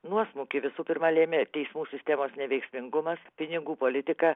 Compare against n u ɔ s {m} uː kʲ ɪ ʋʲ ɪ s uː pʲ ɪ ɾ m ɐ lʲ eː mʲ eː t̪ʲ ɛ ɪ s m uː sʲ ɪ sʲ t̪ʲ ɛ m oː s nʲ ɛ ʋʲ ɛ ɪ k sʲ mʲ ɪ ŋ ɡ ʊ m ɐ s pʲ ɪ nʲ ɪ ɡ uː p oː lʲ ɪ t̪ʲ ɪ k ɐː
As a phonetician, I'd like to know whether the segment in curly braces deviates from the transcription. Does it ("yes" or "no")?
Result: no